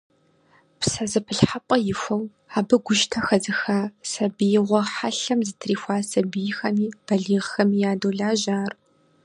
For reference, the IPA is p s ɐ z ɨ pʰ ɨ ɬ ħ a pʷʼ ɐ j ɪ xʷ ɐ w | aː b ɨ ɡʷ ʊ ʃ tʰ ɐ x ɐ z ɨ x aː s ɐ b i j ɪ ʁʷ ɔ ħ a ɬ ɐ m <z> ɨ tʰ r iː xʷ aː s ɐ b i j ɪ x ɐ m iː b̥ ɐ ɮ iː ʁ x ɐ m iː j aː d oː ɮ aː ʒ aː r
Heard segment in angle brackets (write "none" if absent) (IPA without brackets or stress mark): z